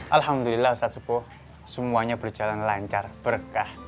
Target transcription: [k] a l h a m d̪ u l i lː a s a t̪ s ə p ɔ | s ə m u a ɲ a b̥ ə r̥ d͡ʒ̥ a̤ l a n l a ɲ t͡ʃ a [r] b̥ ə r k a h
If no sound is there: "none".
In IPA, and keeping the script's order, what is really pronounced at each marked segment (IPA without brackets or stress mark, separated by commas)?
ʔ, r